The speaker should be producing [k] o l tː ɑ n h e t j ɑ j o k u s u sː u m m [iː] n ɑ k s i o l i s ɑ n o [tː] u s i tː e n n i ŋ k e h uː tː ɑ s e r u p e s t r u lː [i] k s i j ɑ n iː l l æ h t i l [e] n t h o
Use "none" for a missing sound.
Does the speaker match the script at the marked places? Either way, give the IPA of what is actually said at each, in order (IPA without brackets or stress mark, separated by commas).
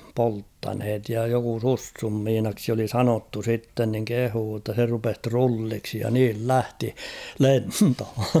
p, iː, tː, i, e